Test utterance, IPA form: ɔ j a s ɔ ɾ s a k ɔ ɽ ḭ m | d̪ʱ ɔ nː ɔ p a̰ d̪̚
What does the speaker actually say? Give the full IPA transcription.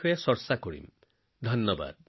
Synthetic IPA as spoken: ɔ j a s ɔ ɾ s a k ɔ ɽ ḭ m | d̪ʱ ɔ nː ɔ b a̰ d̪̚